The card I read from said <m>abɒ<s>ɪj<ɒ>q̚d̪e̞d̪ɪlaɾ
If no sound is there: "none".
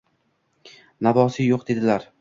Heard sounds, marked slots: n, s, o

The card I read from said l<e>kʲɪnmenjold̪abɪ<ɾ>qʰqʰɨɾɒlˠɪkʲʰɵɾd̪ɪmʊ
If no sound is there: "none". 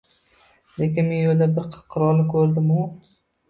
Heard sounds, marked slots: e, ɾ

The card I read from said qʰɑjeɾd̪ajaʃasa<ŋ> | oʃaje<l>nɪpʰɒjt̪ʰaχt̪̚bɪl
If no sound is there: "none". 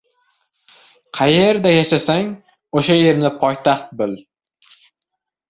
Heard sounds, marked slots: ŋ, ɾ

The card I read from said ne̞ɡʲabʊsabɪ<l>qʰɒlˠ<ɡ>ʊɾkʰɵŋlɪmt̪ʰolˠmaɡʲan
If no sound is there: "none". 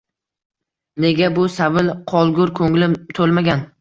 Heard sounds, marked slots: l, ɡ

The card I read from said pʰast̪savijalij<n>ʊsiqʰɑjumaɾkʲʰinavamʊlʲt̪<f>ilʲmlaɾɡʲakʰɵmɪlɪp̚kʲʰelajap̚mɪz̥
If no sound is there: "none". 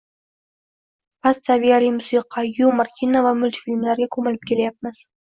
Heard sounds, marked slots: m, f

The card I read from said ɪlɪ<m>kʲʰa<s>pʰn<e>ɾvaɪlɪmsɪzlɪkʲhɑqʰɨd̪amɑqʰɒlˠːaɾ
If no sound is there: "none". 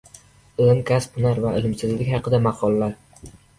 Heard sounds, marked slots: m, s, a

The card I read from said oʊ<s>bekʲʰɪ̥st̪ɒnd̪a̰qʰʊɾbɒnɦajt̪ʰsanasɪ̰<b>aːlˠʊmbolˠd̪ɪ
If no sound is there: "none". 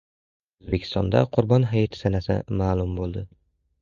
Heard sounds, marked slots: z, m

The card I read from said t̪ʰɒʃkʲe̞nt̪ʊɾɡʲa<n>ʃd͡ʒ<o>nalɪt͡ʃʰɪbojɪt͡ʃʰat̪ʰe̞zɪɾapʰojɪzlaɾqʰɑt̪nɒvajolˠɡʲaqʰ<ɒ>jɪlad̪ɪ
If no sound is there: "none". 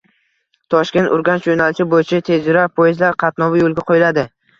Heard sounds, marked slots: n, o, o

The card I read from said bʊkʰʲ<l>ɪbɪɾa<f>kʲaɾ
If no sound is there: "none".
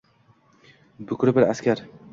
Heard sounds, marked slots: ɾ, s

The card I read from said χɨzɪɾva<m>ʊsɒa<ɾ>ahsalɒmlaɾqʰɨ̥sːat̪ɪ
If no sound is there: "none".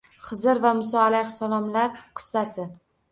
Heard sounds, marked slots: m, l

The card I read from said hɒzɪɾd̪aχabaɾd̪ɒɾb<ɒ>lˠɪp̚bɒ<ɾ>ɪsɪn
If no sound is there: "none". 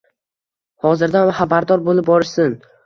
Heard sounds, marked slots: o, ɾ

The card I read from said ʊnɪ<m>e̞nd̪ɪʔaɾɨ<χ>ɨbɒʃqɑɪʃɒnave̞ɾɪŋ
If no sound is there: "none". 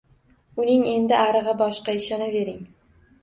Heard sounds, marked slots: ŋ, ʁ

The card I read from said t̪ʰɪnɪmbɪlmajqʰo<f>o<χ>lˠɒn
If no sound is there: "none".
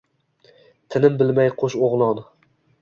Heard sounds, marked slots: ʃ, ʁ

